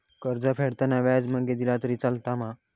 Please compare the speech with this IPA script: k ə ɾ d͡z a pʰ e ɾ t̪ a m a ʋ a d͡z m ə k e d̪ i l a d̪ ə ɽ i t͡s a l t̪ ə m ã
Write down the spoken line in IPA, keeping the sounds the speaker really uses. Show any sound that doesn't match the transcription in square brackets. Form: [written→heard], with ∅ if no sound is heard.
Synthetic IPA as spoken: k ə ɾ d͡z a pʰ e [ɾ→ɽ] t̪ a [m→n] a ʋ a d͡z m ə [k→ɡ] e d̪ i l a [d̪→t̪] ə [ɽ→ɾ] i t͡s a l t̪ [ə→a] m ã